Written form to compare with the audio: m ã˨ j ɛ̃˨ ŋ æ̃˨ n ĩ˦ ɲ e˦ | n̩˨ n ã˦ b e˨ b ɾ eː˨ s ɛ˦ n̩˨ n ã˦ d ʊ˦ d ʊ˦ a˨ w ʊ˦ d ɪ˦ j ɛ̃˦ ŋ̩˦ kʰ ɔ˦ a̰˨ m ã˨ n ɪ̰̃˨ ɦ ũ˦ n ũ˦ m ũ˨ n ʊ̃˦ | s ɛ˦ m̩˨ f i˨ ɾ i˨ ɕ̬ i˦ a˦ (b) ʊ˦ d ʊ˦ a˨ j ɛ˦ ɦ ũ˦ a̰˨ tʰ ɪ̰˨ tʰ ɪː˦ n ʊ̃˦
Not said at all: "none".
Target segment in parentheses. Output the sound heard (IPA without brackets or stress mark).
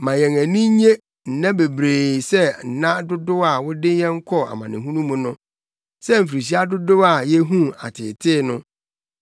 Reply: d